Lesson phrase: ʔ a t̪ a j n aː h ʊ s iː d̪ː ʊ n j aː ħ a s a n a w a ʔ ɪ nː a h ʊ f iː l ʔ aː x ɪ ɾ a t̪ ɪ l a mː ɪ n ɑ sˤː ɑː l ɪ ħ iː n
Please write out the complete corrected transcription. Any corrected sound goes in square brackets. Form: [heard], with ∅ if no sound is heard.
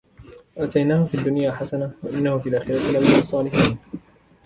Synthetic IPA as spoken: ʔ a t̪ a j n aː h ʊ [f] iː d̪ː ʊ n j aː ħ a s a n a w a ʔ ɪ nː a h ʊ f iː l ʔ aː x ɪ ɾ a t̪ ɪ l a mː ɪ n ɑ sˤː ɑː l ɪ ħ iː n